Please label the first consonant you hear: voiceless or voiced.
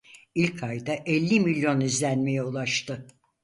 voiced